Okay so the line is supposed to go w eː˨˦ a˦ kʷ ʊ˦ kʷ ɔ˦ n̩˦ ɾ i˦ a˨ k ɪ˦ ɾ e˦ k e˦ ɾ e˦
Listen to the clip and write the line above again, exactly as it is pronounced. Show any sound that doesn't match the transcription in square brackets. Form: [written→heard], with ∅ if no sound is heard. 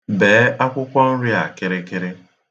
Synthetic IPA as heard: [w→b] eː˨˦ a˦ kʷ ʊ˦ kʷ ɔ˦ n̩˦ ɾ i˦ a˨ k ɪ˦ ɾ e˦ k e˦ ɾ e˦